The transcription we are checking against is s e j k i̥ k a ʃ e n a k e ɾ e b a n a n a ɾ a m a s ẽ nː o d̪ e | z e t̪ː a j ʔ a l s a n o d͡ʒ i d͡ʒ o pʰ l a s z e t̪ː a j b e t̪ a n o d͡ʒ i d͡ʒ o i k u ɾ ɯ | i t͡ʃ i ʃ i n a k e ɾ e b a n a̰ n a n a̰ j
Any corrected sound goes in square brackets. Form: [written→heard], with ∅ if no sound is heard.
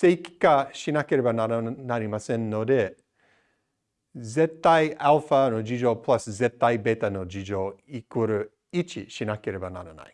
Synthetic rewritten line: s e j k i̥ k a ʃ [e→i] n a k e ɾ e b a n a n a ɾ [a→i] m a s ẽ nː o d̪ e | z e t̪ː a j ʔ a l [s→f] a n o d͡ʒ i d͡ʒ o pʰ l a s z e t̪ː a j b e t̪ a n o d͡ʒ i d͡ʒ o i k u ɾ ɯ | i t͡ʃ i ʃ i n a k e ɾ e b a n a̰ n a n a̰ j